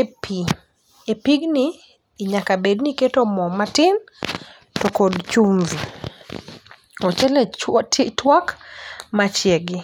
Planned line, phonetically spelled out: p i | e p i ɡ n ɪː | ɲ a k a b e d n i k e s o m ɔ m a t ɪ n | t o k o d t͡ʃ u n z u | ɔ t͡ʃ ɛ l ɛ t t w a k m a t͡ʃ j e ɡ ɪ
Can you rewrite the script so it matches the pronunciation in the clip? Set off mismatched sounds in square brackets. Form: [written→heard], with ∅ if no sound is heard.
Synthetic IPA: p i | e p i ɡ n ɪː | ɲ a k a b e d n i k e [s→t] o m ɔ m a t ɪ n | t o k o d t͡ʃ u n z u | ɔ t͡ʃ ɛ l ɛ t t w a k m a t͡ʃ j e ɡ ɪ